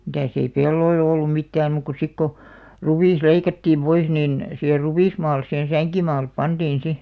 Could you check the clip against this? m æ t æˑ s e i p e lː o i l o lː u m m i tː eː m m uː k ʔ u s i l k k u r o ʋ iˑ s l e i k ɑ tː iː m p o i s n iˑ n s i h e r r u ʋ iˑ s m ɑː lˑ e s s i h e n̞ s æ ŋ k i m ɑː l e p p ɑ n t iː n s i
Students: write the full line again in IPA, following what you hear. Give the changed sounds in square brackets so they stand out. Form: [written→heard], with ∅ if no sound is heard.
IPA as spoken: m [æ→i] t æˑ s e i p e lː o i l o lː u m m i tː [eː→æː] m m uː k [ʔ→k] u s i [l→∅] k k [u→o] r [o→u] ʋ iˑ s l e i k ɑ tː iː m p o i s n iˑ n s i h e r r u ʋ iˑ s m ɑː lˑ e s s i h e n̞ s æ ŋ k i m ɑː l e p p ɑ n t iː n s i